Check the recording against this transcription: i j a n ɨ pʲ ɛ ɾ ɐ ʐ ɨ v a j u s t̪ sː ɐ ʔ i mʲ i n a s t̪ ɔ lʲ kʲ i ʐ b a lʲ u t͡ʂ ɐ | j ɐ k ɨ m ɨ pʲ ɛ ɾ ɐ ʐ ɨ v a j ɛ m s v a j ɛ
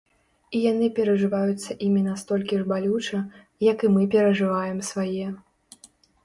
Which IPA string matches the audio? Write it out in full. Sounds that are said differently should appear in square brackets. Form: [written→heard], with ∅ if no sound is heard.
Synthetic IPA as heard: i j a n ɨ pʲ ɛ ɾ ɐ ʐ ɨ v a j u [s→∅] t̪ sː ɐ ʔ i mʲ i n a s t̪ ɔ lʲ kʲ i ʐ b a lʲ u t͡ʂ ɐ | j ɐ k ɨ m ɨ pʲ ɛ ɾ ɐ ʐ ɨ v a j ɛ m s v a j ɛ